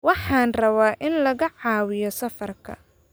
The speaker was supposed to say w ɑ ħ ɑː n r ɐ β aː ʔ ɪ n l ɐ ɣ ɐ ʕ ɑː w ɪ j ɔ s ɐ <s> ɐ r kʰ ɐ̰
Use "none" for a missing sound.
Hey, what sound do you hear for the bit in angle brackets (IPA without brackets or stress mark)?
f